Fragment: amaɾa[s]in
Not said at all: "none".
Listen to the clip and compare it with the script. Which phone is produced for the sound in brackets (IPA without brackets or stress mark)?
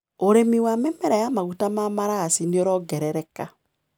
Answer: s